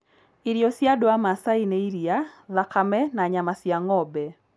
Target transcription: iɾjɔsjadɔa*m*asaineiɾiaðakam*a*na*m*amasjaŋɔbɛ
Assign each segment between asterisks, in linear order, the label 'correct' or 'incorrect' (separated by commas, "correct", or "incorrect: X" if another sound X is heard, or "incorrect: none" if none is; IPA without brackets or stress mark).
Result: correct, incorrect: ɛ, incorrect: ɲ